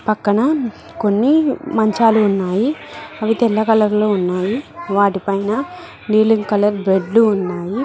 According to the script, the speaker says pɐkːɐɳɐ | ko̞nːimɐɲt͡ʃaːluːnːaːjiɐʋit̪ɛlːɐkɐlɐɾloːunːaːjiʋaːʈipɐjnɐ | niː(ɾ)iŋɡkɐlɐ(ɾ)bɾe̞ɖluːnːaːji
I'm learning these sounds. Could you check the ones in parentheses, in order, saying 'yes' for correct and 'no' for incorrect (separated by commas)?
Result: no, yes